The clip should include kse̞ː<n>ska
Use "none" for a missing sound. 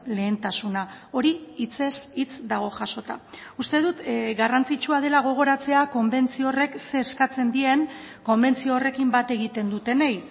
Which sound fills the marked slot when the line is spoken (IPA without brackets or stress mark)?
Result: none